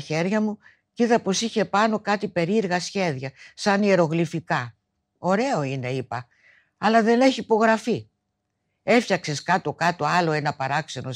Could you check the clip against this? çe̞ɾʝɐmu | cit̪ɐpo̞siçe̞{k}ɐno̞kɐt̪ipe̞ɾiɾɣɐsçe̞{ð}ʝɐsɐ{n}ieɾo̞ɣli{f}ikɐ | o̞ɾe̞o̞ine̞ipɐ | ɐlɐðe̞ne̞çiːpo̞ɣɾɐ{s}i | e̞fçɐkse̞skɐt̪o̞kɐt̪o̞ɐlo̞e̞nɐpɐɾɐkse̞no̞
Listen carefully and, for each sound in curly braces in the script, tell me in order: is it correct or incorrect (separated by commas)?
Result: incorrect, correct, correct, correct, incorrect